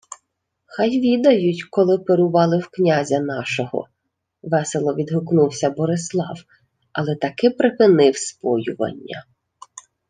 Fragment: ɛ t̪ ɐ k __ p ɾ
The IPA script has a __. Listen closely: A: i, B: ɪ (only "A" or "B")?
B